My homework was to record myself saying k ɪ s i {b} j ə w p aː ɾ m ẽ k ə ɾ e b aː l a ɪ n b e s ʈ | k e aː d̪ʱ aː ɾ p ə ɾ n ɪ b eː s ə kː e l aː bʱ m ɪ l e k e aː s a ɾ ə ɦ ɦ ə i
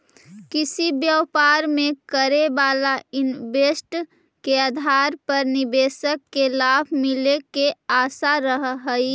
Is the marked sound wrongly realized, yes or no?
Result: no